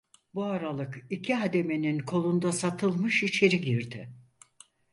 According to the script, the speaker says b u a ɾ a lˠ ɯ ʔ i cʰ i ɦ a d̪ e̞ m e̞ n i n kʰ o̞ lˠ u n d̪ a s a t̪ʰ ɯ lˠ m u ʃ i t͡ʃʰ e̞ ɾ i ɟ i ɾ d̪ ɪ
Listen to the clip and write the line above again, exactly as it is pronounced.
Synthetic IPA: b u a ɾ a lˠ ɯ k i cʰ i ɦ a d̪ e̞ m e̞ n i n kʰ o̞ lˠ u n d̪ a s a t̪ʰ ɯ lˠ m ɯ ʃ i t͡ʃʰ e̞ ɾ i ɟ i ɾ d̪ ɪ